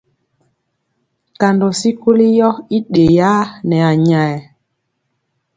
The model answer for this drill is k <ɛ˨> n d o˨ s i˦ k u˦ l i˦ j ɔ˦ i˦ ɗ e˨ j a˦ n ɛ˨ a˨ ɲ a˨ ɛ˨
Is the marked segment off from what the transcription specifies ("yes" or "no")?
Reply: yes